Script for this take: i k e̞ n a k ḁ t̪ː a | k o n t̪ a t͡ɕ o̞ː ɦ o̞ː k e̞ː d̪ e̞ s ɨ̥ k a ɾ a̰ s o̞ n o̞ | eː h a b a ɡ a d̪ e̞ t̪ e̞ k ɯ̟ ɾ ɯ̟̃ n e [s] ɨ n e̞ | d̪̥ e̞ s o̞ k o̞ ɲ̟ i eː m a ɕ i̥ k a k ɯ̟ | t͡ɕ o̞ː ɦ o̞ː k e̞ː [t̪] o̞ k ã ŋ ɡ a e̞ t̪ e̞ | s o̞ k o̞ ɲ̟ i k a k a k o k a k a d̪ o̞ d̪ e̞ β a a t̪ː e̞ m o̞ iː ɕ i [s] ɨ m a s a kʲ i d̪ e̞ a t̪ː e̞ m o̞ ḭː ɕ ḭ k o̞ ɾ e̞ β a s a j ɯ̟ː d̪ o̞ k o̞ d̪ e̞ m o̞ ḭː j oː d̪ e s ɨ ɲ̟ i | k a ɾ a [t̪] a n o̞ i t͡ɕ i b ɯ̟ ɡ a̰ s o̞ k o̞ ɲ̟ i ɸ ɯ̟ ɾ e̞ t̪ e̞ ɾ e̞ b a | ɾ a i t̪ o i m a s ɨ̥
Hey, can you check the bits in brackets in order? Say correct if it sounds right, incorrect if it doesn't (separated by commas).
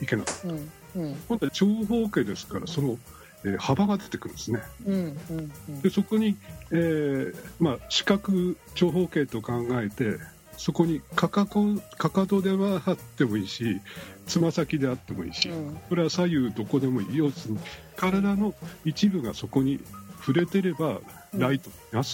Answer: correct, correct, incorrect, incorrect